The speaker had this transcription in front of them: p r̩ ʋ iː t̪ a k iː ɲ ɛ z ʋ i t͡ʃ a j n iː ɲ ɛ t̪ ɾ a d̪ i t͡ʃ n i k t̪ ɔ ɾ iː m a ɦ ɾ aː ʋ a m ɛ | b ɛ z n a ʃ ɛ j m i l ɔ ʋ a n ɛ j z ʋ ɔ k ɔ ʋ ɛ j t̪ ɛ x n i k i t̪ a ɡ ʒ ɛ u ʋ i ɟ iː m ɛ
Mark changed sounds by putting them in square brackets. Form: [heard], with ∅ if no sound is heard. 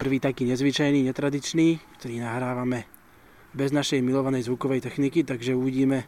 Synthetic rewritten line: p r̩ ʋ iː t̪ a k iː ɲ ɛ z ʋ i t͡ʃ a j n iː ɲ ɛ t̪ ɾ a d̪ i t͡ʃ n [iː] k t̪ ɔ ɾ iː [n] a ɦ ɾ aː ʋ a m ɛ | b ɛ z n a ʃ ɛ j m i l ɔ ʋ a n ɛ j z ʋ [u] k ɔ ʋ ɛ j t̪ ɛ x n i k i t̪ a ɡ ʒ ɛ u ʋ i ɟ iː m ɛ